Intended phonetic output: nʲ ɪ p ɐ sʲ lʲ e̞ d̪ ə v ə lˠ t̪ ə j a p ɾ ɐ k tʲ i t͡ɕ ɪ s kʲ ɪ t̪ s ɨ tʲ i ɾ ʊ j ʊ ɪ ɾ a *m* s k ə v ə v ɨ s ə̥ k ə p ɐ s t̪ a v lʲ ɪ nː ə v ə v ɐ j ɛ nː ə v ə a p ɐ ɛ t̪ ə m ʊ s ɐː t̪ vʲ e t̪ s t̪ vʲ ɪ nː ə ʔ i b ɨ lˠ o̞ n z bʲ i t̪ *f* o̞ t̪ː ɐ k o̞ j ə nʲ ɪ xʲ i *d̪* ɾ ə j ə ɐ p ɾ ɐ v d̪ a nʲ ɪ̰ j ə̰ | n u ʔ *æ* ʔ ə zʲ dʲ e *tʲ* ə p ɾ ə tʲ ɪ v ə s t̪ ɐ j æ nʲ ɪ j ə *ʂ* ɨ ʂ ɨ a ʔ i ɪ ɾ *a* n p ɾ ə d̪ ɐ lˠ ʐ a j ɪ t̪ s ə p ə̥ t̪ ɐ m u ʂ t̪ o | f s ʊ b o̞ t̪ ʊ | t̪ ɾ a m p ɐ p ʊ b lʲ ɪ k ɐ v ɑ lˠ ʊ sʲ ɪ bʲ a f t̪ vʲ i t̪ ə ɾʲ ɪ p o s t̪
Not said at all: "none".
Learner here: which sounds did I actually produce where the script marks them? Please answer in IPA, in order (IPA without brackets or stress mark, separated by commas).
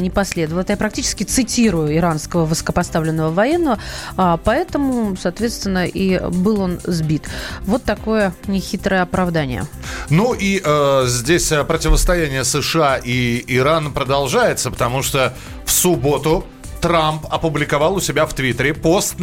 n, v, t̪, i, sʲ, s, a